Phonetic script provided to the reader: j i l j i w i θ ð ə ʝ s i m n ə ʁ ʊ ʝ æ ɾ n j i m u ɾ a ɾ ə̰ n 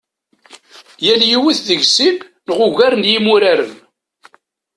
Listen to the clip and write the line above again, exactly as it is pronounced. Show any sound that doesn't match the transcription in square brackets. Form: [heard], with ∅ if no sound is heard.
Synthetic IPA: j [æ] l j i w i θ ð ə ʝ s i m n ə ʁ ʊ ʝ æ ɾ n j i m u ɾ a ɾ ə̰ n